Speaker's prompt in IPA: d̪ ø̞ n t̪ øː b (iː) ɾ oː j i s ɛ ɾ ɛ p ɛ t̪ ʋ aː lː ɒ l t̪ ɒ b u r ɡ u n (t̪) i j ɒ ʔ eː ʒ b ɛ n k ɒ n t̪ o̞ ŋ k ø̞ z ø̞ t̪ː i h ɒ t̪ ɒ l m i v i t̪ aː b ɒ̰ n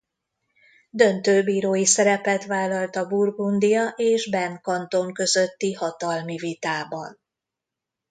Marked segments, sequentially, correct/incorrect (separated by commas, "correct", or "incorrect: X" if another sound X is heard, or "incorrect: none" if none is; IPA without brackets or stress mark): correct, incorrect: d̪